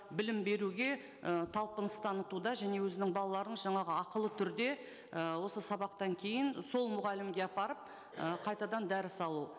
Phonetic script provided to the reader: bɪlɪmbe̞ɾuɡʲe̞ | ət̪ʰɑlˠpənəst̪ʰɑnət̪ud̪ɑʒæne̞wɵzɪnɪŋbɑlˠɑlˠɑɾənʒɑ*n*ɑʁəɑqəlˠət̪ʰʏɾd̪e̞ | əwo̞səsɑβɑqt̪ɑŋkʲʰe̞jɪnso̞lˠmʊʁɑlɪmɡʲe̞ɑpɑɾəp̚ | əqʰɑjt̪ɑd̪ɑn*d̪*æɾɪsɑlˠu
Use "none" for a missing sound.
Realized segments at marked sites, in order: ɴ, d̪

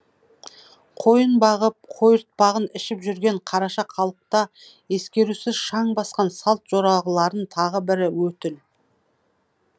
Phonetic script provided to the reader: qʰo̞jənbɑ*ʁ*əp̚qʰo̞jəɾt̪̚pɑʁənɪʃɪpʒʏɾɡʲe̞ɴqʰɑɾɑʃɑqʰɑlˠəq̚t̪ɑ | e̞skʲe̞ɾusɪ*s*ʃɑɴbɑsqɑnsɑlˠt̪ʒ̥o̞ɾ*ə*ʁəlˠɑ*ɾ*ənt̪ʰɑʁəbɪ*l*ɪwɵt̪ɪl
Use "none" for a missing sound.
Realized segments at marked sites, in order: ʁ, z, ɑ, ɾ, ɾ

